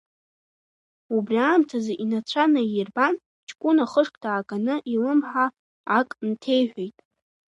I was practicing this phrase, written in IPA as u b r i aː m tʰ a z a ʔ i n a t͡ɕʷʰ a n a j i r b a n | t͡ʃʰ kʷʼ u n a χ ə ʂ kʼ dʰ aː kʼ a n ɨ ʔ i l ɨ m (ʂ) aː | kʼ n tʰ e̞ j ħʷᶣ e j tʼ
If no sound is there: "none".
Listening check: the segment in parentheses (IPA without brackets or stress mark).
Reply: ħ